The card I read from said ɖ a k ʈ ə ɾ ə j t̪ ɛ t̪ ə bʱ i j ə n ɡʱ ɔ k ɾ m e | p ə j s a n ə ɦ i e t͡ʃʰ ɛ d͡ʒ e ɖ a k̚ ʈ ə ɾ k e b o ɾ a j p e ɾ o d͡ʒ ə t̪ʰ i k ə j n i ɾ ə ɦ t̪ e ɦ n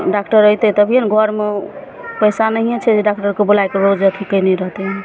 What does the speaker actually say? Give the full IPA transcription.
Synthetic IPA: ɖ a k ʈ ə ɾ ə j t̪ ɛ t̪ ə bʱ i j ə n ɡʱ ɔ ɾ m e | p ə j s a n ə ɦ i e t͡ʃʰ ɛ d͡ʒ e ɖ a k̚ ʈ ə ɾ k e b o l a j k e ɾ o d͡ʒ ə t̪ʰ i k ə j n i ɾ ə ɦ t̪ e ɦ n